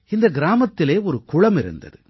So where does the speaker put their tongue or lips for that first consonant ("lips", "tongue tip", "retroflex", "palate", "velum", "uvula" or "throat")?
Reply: tongue tip